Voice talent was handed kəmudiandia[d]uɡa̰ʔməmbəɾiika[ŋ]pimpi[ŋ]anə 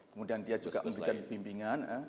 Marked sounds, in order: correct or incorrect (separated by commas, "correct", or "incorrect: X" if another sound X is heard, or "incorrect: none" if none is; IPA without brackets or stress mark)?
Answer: incorrect: d͡ʒ, incorrect: n, correct